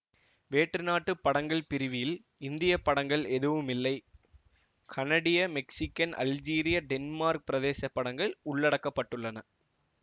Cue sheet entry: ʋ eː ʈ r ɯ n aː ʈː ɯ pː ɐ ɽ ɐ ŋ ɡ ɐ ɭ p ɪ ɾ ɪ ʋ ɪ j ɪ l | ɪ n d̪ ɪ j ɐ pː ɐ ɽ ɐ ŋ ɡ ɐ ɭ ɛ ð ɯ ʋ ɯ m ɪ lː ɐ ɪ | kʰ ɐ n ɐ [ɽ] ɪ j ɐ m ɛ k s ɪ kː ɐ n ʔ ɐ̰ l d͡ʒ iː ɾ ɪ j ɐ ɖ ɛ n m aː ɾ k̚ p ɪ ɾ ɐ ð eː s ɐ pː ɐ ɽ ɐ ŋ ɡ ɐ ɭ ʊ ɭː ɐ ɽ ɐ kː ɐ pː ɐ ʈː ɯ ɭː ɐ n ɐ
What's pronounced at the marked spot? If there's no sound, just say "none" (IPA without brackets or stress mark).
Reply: ɽ